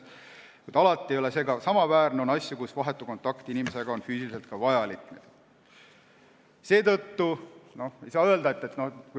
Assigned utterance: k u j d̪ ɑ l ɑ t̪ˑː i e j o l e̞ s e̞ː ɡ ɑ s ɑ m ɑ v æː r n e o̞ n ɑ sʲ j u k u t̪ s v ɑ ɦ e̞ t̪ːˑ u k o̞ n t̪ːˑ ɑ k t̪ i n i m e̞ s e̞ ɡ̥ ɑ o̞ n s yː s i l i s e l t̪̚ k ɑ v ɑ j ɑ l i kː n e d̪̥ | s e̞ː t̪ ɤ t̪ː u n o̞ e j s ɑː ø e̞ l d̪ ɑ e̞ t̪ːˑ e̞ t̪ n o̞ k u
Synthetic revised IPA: k u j d̪ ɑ l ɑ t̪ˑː i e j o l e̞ s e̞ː ɡ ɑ s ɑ m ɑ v æː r n e o̞ n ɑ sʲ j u k u s v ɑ ɦ e̞ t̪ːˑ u k o̞ n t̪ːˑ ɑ k t̪ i n i m e̞ s e̞ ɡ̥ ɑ o̞ n f yː s i l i s e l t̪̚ k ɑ v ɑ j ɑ l i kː n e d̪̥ | s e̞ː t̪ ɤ t̪ː u n o̞ e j s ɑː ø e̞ l d̪ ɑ e̞ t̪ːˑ e̞ t̪ n o̞ k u

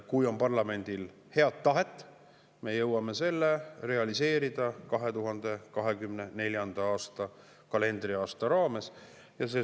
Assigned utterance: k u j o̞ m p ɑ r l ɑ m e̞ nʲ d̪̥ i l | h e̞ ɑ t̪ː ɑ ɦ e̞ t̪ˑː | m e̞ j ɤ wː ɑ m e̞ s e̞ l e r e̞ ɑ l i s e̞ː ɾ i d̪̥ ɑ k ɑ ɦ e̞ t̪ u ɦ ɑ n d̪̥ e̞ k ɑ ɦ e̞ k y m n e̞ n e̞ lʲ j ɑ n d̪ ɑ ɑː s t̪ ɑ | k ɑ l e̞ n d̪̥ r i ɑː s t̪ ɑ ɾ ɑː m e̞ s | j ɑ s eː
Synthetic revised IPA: k u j o̞ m p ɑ r l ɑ m e̞ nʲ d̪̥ i l | h e̞ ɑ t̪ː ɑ ɦ e̞ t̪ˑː | m e̞ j ɤ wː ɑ m e̞ s e̞ lː e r e̞ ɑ l i s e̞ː ɾ i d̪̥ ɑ k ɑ ɦ e̞ t̪ u ɦ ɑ n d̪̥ e̞ k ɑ ɦ e̞ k y m n e̞ n e̞ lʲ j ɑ n d̪ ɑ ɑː s t̪ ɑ | k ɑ l e̞ n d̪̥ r i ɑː s t̪ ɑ ɾ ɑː m e̞ s | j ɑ s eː

